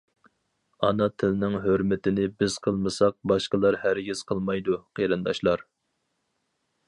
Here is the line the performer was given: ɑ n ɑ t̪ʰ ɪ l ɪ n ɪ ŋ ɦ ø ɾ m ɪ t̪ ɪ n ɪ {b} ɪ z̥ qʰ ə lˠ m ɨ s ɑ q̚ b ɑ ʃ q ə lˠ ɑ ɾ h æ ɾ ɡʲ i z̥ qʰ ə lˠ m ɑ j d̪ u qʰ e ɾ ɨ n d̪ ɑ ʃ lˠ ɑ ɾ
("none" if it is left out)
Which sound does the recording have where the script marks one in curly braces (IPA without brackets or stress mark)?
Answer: b